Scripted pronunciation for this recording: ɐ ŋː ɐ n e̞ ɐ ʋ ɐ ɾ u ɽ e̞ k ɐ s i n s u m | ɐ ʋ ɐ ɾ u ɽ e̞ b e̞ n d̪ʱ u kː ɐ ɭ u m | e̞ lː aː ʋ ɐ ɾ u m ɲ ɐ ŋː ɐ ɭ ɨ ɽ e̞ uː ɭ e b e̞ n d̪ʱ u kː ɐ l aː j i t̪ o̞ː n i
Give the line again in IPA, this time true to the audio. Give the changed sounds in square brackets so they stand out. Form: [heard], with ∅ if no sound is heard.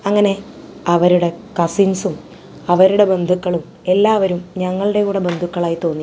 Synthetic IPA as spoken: ɐ ŋː ɐ n e̞ ɐ ʋ ɐ ɾ u ɽ e̞ k ɐ s i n s u m | ɐ ʋ ɐ ɾ u ɽ e̞ b e̞ n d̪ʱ u kː ɐ ɭ u m | e̞ lː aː ʋ ɐ ɾ u m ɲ ɐ ŋː ɐ ɭ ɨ ɽ e̞ uː [ɽ] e b e̞ n d̪ʱ u kː ɐ [ɭ] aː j i t̪ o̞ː [nː] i